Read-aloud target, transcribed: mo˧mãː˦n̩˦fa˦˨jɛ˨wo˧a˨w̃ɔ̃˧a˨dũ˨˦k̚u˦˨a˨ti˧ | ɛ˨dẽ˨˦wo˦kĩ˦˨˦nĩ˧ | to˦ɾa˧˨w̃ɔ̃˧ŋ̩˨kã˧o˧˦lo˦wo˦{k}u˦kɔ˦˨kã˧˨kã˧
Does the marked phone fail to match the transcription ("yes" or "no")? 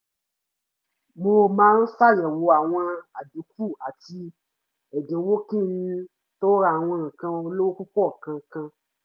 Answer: no